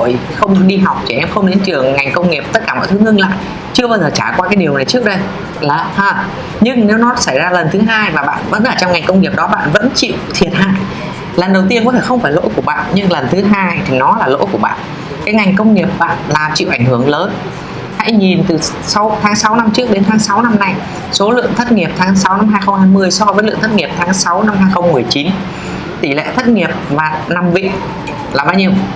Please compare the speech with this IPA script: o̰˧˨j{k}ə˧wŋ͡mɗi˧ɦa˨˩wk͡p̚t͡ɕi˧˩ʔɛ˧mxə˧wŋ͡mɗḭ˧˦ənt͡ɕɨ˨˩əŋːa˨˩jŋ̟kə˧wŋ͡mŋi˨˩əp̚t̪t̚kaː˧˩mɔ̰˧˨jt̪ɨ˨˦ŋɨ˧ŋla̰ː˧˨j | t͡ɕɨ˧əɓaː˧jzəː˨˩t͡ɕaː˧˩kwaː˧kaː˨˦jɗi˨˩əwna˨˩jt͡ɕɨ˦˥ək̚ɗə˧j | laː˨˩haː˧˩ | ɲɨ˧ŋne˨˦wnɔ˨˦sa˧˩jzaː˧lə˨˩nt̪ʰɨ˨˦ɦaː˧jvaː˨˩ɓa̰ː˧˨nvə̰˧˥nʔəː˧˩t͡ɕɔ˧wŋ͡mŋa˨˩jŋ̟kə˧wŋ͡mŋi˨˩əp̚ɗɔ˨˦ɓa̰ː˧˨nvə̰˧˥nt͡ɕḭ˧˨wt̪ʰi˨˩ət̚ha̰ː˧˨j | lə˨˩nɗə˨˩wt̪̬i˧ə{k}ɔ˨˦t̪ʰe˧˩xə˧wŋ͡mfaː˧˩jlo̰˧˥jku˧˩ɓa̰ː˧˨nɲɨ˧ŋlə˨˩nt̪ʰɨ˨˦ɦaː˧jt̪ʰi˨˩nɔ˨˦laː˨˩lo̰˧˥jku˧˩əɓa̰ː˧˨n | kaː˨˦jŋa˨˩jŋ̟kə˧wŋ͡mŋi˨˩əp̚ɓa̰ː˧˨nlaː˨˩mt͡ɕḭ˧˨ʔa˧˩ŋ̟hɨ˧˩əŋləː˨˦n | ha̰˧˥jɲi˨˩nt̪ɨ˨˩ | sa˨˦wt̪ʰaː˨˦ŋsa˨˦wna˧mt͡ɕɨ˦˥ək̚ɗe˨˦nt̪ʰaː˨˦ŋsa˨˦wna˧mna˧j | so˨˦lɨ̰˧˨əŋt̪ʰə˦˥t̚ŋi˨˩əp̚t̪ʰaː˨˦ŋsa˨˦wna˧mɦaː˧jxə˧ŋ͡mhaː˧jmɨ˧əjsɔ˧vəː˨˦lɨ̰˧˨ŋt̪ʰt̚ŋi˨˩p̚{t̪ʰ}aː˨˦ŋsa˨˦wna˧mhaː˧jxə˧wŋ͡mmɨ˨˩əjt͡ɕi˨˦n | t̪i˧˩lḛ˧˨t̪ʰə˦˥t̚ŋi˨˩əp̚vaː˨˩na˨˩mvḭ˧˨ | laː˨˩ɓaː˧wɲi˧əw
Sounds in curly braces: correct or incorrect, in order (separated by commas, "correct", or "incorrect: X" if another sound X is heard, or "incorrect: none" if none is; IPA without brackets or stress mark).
incorrect: x, correct, correct